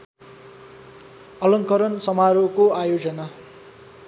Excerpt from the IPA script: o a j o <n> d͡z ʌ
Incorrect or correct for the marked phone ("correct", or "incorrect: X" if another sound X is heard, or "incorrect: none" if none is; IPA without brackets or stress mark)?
incorrect: none